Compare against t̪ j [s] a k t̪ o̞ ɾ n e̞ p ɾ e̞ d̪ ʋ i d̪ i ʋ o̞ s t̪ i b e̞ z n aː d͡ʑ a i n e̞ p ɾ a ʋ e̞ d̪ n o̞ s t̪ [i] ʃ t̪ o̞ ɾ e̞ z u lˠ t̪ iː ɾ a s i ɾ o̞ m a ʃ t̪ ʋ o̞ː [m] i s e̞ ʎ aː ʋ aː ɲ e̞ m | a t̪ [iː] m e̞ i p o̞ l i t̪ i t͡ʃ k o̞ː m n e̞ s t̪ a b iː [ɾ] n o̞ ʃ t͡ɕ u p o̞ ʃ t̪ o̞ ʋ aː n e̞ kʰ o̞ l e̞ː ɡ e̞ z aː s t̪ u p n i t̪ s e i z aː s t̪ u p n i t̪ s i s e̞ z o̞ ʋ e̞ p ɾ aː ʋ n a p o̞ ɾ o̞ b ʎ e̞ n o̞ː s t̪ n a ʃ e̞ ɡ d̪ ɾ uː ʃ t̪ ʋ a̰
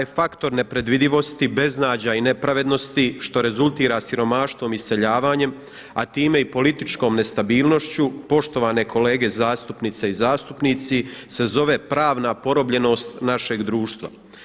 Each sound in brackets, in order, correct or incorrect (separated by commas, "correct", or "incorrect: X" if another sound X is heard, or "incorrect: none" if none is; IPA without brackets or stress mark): incorrect: f, correct, correct, correct, incorrect: l